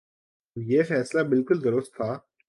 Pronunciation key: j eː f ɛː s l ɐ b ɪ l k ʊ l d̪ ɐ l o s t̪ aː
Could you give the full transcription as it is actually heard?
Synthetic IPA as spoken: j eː f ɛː s l a b ɪ l k ʊ l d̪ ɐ ɾ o s t̪ʰ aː